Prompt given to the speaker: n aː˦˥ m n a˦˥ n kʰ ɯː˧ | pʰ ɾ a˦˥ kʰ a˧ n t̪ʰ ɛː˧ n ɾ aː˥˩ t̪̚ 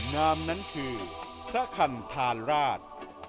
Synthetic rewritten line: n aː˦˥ m n a˦˥ n kʰ ɯː˧ | pʰ ɾ a˦˥ kʰ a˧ n t̪ʰ aː˧ n ɾ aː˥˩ t̪̚